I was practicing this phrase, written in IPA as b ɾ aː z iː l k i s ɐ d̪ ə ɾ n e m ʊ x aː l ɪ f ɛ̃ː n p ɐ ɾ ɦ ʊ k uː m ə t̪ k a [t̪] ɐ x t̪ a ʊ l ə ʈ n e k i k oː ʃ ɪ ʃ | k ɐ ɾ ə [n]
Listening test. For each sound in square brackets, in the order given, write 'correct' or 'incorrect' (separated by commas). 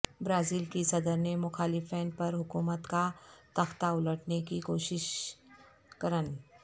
correct, correct